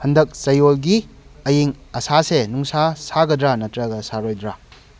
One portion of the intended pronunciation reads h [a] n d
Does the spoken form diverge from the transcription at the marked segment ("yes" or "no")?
yes